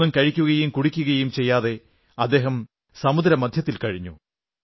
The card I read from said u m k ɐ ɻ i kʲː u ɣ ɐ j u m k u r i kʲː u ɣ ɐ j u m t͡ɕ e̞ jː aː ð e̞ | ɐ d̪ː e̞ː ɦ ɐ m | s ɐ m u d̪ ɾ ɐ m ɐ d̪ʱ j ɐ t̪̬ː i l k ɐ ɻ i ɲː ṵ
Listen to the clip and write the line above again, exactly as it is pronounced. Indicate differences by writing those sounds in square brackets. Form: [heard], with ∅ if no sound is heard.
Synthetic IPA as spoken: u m k ɐ ɻ i kʲː u ɣ ɐ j u m k u [ɽ] i kʲː u ɣ ɐ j u m t͡ɕ e̞ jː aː ð e̞ | ɐ d̪ː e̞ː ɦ ɐ m | s ɐ m u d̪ ɾ ɐ m ɐ d̪ʱ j ɐ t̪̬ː i l k ɐ ɻ i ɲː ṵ